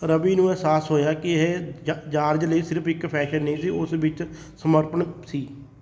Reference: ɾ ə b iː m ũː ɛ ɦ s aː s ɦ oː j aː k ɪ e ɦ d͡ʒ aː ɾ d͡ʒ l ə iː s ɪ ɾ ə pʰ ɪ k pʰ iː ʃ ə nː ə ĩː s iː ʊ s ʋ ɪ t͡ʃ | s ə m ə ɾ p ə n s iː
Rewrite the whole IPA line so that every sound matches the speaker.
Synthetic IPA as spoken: ɾ ə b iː n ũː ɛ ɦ s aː s ɦ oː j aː k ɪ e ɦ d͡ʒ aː ɾ d͡ʒ l ə iː s ɪ ɾ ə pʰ ɪ k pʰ ɛː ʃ ə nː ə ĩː s iː ʊ s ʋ ɪ t͡ʃ | s ə m ə ɾ p ə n s iː

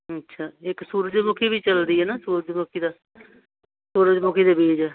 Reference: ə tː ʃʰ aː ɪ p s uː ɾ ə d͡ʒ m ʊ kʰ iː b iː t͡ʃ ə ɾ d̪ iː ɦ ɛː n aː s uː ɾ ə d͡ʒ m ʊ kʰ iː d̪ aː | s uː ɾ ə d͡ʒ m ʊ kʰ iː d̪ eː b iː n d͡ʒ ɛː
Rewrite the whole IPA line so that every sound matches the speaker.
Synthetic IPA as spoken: ə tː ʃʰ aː ɪ k s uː ɾ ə d͡ʒ m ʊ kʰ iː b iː t͡ʃ ə l d̪ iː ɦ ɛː n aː s uː ɾ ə d͡ʒ m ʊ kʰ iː d̪ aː | s uː ɾ ə d͡ʒ m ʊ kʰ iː d̪ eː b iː d͡ʒ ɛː

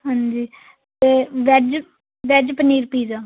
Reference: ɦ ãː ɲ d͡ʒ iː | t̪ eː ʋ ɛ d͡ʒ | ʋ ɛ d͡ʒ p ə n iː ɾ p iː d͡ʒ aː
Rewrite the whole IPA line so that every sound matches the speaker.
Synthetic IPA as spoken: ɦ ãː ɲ d͡ʒ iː | t̪ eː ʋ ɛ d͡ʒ | ʋ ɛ d͡ʒ p ə n iː ɾ p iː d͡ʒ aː

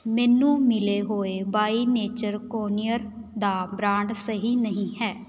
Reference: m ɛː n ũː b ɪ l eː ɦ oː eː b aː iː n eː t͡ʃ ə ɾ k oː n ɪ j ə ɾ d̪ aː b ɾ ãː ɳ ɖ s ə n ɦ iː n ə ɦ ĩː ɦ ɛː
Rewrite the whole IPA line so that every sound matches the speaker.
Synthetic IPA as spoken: m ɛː n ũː m ɪ l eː ɦ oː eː b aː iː n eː t͡ʃ ə ɾ k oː n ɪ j ə ɾ d̪ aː b ɾ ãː ɳ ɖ s ə ɦ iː n ə ɦ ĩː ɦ ɛː

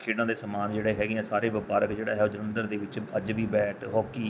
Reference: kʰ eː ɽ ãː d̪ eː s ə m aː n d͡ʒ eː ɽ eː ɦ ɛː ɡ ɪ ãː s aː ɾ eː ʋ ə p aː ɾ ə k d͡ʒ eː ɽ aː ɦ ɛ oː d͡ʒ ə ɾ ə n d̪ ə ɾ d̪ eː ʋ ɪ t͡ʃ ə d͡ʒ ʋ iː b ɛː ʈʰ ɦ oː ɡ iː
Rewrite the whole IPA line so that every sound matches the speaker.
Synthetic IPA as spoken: kʰ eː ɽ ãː d̪ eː s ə m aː n d͡ʒ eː ɽ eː ɦ ɛː ɡ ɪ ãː s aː ɾ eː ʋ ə p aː ɾ ə k d͡ʒ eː ɽ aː ɦ ɛ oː d͡ʒ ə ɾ ə n d̪ ə ɾ d̪ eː ʋ ɪ t͡ʃ ə d͡ʒ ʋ iː b ɛː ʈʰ ɦ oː k iː

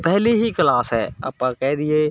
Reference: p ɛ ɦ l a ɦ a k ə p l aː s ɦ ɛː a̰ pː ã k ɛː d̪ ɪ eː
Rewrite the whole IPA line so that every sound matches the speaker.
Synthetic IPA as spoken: p ɛ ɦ l i ɦ i k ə l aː s ɦ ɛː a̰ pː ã k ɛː d̪ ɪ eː

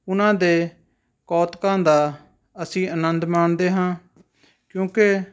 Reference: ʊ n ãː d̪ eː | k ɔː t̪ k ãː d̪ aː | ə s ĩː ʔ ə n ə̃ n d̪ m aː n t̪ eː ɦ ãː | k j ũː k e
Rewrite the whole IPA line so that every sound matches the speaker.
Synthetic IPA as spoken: ʊ n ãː d̪ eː | k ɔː t̪ k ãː d̪ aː | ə s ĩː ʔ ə n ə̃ n d̪ m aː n d̪ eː ɦ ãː | k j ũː k e

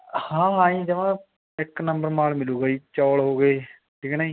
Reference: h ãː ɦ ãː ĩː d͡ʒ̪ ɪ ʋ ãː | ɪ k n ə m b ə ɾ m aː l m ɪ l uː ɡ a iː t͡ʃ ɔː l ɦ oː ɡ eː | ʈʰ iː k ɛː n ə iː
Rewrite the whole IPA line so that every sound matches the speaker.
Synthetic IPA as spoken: h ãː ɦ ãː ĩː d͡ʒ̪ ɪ ʋ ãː | ɪ k n ə m b ə ɾ m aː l m ɪ l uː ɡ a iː t͡ʃ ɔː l ɦ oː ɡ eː | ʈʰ iː k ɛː n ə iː

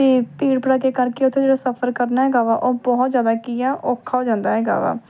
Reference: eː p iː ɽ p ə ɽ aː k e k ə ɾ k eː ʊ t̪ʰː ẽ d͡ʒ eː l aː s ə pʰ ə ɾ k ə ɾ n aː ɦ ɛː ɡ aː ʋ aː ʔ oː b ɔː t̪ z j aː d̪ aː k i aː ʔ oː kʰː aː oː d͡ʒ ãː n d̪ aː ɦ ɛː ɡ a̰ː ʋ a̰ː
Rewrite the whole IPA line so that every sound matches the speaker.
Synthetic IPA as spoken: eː p iː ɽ p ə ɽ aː k e k ə ɾ k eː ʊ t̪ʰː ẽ d͡ʒ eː ɽ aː s ə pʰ ə ɾ k ə ɾ n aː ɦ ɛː ɡ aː ʋ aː ʔ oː b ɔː t̪ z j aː d̪ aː k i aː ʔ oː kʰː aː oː d͡ʒ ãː n d̪ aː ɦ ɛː ɡ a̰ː ʋ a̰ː

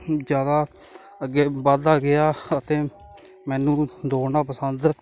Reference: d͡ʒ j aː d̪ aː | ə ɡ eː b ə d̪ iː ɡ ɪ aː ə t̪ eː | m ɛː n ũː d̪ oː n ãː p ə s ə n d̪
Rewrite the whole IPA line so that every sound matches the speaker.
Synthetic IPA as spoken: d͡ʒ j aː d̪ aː | ə ɡ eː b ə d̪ aː ɡ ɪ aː ə t̪ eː | m ɛː n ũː d̪ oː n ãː p ə s ə n d̪

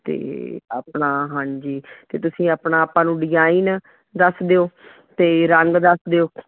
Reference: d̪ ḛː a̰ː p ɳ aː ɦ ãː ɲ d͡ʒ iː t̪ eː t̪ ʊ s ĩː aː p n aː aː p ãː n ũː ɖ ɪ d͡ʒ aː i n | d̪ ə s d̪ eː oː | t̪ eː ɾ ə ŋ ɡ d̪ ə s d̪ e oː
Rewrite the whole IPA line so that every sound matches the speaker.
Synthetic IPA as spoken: t̪ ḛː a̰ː p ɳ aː ɦ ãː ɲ d͡ʒ iː t̪ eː t̪ ʊ s ĩː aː p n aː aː p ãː n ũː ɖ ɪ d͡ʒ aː i n | d̪ ə s d̪ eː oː | t̪ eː ɾ ə ŋ ɡ d̪ ə s d̪ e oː

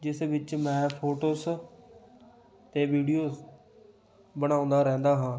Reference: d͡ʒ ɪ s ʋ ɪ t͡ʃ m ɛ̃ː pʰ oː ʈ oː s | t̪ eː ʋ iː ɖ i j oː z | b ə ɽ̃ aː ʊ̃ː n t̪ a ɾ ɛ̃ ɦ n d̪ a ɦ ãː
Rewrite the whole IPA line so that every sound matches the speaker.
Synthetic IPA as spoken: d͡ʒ ɪ s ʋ ɪ t͡ʃ m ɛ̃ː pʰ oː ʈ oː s | t̪ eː ʋ iː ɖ i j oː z | b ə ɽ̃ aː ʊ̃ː n d̪ a ɾ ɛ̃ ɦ n d̪ a ɦ ãː

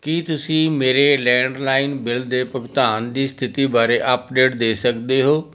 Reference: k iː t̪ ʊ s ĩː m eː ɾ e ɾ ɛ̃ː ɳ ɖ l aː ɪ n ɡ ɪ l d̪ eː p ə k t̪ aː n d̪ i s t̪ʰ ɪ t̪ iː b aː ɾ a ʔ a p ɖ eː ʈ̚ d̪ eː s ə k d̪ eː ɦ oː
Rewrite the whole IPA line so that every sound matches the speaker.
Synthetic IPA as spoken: k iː t̪ ʊ s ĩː m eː ɾ e l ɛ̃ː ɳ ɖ l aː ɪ n b ɪ l d̪ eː p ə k t̪ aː n d̪ iː s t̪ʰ ɪ t̪ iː b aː ɾ e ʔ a p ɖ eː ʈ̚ d̪ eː s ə k d̪ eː ɦ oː

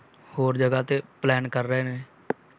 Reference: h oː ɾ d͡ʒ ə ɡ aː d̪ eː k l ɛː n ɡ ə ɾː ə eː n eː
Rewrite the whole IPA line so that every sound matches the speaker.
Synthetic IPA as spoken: h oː ɾ d͡ʒ ə ɡ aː t̪ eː p l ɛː n k ə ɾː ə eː n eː

